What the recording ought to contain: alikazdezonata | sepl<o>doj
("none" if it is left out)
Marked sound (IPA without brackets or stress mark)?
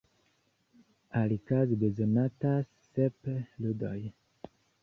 u